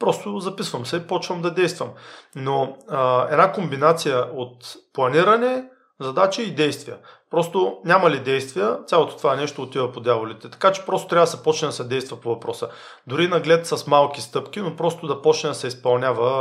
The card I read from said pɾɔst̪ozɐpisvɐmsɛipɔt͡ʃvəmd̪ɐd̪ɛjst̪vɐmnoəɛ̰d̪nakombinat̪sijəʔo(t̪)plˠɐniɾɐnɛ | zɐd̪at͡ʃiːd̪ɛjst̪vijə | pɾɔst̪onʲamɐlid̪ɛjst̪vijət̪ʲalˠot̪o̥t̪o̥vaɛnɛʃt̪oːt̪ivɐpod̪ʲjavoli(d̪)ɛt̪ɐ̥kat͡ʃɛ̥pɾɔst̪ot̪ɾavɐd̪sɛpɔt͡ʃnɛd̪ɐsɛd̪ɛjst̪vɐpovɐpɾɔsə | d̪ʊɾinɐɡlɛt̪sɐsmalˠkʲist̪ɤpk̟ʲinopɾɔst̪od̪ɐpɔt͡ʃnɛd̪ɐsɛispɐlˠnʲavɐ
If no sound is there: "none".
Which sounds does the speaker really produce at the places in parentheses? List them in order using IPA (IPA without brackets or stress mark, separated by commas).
t̪, t̪